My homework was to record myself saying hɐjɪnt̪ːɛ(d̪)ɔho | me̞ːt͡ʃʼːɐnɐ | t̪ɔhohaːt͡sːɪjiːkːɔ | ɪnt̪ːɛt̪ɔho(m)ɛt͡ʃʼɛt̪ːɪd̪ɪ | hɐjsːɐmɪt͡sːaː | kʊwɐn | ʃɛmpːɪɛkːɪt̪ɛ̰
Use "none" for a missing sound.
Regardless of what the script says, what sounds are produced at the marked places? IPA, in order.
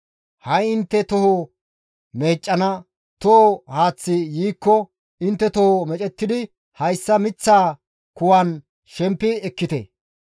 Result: t̪, m

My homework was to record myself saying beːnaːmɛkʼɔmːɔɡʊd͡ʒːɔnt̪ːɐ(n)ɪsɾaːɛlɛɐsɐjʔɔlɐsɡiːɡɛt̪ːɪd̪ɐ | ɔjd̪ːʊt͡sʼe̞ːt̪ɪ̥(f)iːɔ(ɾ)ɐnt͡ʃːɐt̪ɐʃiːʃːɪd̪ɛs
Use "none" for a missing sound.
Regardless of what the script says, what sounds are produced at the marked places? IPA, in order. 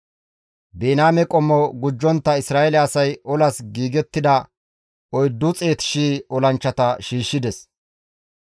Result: none, ʃ, l

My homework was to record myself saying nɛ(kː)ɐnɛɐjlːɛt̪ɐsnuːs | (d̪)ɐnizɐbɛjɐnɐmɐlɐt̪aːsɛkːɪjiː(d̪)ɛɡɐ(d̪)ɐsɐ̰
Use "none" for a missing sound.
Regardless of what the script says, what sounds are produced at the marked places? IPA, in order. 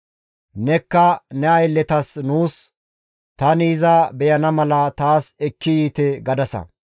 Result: kː, t̪, t̪, d̪

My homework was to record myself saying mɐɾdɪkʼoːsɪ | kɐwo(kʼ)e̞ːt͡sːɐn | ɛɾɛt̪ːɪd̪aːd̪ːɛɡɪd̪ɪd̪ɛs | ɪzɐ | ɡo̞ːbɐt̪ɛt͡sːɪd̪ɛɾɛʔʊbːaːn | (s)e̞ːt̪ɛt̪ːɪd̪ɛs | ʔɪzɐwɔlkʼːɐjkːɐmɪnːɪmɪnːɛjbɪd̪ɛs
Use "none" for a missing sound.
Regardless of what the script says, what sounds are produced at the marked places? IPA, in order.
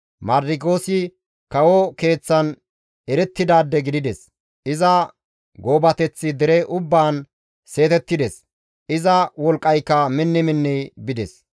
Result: k, s

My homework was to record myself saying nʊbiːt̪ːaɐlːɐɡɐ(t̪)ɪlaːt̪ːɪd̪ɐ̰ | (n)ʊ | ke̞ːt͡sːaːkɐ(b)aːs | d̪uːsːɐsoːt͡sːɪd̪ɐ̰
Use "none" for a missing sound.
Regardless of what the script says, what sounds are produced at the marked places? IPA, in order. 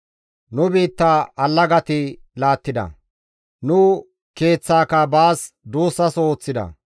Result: t̪, n, b

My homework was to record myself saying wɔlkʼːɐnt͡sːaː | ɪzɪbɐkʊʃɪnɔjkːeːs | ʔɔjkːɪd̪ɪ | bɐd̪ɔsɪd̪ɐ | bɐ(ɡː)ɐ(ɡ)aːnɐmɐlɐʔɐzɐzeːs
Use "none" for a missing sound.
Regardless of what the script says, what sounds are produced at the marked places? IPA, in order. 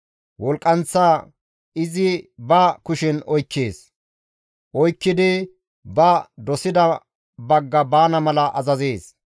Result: ɡː, b

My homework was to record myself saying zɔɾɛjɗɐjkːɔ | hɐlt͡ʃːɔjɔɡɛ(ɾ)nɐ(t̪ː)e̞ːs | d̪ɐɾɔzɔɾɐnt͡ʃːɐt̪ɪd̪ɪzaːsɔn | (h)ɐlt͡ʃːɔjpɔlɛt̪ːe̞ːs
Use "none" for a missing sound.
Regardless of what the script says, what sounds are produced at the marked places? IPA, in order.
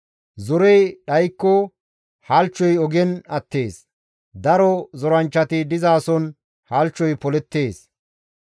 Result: none, t̪ː, h

